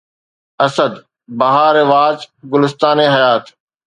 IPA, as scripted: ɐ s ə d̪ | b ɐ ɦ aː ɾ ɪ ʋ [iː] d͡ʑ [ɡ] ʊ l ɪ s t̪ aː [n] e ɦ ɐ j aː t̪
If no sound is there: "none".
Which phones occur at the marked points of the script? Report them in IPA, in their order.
aː, ɡ, n

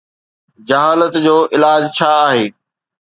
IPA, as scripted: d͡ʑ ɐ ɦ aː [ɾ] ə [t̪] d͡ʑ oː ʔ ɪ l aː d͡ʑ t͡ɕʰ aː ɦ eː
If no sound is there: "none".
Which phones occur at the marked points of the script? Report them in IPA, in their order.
l, t̪

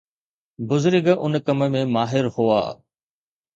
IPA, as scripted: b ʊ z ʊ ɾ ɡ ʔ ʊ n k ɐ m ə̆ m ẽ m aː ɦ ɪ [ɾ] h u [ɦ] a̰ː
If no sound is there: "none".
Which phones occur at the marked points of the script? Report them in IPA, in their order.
ɾ, none

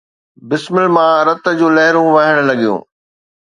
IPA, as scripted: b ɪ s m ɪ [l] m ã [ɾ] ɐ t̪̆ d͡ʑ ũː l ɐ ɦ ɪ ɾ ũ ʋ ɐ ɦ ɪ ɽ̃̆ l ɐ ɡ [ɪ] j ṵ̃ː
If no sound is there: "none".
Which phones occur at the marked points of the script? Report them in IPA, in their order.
l, ɾ, i

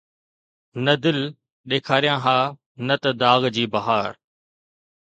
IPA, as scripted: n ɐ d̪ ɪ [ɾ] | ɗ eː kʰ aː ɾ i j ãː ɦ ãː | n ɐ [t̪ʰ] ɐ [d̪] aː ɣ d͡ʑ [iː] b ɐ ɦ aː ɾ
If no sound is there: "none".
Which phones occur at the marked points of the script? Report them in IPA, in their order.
l, t̪, d̪, iː

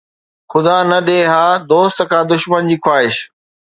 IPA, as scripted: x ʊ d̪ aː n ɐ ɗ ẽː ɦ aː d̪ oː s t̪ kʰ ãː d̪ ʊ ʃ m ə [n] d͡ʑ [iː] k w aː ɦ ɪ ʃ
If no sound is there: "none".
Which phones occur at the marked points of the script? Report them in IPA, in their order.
n, iː

